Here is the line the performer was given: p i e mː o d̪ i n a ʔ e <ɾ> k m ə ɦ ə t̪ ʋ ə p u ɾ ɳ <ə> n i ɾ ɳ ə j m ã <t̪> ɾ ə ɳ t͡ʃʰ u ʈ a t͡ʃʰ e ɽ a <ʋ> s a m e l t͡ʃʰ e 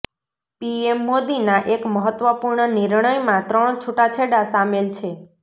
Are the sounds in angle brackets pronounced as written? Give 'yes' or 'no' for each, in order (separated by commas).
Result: no, yes, yes, no